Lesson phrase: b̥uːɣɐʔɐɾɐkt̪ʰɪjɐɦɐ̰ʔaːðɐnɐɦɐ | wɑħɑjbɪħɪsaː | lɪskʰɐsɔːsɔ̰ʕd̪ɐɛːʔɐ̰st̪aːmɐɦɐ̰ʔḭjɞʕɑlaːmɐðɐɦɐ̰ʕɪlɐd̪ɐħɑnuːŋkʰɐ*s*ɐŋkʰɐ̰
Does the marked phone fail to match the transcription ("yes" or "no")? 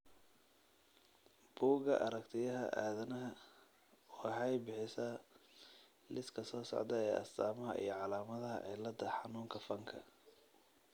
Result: yes